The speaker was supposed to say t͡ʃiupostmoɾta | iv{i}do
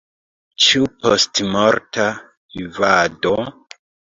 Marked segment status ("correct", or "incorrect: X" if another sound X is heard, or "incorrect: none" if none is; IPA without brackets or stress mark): incorrect: a